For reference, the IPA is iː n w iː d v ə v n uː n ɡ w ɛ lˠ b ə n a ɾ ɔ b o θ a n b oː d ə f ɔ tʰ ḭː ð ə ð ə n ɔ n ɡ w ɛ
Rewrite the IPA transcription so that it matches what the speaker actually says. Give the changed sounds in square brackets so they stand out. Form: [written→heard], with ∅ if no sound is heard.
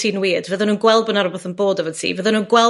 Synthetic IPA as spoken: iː n w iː d v ə [v→ð] n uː n ɡ w ɛ lˠ b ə n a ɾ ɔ b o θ [a→ə] n b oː d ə [f→v] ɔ tʰ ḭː [ð→v] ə ð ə n [ɔ→u] n ɡ w ɛ